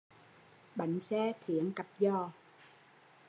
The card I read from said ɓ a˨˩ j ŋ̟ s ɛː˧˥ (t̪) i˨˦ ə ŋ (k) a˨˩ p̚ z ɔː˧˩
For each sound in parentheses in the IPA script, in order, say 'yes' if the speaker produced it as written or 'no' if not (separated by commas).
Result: no, yes